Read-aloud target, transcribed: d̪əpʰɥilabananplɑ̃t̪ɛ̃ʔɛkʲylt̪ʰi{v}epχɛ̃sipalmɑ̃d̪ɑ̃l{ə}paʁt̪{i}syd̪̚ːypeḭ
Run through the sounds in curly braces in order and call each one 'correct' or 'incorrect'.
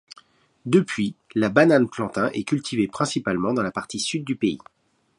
correct, incorrect: a, correct

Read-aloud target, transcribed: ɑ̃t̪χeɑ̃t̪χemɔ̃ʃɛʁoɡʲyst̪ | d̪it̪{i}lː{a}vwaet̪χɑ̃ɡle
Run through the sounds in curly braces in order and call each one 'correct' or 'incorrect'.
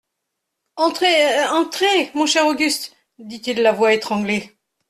correct, correct

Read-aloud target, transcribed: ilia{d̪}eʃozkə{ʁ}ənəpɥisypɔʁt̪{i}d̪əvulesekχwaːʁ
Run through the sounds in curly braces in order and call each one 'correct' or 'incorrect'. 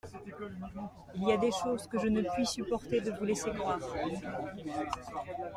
correct, incorrect: ʒ, incorrect: e

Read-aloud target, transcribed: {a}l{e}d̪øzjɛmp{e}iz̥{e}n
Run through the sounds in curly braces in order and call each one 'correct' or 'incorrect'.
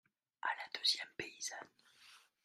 correct, incorrect: a, correct, incorrect: a

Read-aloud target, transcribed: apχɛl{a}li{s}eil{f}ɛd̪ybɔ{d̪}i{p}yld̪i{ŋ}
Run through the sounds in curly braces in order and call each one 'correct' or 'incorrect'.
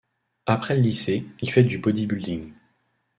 incorrect: ə, correct, correct, correct, incorrect: b, correct

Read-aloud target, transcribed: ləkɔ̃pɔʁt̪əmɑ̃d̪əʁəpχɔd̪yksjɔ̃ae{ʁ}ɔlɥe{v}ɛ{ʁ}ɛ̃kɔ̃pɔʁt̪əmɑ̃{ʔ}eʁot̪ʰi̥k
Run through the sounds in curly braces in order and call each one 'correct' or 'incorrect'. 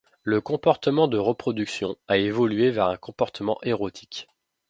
incorrect: v, correct, correct, correct

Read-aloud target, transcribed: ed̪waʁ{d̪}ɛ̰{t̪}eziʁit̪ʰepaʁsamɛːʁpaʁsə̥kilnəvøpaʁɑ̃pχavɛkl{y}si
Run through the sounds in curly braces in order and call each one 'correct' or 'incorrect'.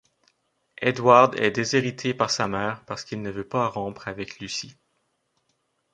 correct, incorrect: d̪, correct

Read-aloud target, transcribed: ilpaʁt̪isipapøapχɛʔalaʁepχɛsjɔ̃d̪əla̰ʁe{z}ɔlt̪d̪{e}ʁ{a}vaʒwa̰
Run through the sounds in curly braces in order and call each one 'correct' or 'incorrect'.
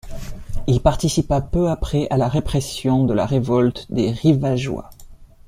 incorrect: v, correct, incorrect: i

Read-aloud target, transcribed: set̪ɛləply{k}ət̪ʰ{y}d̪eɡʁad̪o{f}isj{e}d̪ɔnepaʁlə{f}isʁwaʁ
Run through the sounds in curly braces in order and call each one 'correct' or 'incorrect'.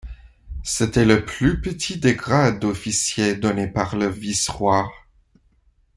incorrect: p, incorrect: i, correct, correct, incorrect: v

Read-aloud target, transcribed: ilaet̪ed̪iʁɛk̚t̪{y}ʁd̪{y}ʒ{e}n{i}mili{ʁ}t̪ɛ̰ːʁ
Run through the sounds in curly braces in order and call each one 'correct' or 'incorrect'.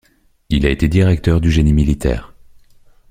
incorrect: œ, correct, correct, correct, incorrect: none

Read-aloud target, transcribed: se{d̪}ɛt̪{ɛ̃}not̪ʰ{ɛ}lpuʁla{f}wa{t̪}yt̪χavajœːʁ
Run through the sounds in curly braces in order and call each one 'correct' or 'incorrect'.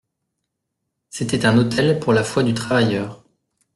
incorrect: t̪, correct, correct, correct, incorrect: d̪

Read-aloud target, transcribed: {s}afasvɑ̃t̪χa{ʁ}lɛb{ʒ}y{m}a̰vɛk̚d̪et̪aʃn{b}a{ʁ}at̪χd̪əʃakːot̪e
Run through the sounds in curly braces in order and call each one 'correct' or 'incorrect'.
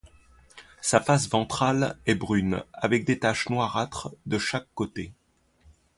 correct, incorrect: none, incorrect: ʁ, incorrect: n, incorrect: w, correct

